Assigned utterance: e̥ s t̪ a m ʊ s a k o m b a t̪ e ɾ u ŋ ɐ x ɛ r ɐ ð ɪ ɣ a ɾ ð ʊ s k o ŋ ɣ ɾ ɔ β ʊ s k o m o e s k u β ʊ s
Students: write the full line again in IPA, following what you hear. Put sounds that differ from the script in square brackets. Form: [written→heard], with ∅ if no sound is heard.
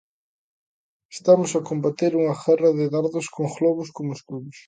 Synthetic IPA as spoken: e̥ s t̪ a m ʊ s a k o m b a t̪ e ɾ u ŋ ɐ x ɛ r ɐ ð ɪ [ɣ→ð] a ɾ ð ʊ s k o ŋ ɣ [ɾ→l] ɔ β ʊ s k o m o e s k u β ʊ s